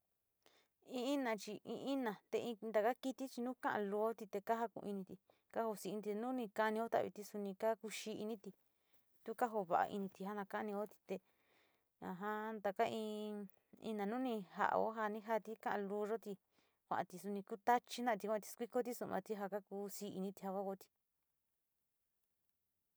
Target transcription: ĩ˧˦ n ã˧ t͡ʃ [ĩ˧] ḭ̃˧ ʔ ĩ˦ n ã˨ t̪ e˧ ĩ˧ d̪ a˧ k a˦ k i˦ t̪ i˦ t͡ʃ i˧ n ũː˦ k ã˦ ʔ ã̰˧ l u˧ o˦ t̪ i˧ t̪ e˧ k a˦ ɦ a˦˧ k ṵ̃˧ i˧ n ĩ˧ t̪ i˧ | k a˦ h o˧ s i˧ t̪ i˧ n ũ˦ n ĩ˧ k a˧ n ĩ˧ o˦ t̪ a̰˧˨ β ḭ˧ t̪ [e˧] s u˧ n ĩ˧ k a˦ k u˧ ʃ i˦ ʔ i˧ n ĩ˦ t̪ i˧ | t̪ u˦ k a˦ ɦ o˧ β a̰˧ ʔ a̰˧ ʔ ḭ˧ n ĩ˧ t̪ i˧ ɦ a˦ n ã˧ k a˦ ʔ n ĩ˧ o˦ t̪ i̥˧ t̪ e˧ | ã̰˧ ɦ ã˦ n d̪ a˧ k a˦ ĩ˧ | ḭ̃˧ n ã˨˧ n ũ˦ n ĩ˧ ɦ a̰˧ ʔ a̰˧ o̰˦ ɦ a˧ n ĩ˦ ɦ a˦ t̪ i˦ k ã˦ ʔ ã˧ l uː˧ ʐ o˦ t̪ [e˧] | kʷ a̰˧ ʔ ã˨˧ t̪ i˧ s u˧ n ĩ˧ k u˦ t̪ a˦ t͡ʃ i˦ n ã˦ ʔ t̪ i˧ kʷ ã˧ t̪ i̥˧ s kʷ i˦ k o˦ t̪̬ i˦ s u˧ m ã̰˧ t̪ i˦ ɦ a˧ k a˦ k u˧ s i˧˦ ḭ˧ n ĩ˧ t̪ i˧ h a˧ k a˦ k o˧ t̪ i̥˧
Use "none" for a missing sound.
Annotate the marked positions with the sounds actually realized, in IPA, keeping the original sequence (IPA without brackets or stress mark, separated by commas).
i˧, i˧, i˧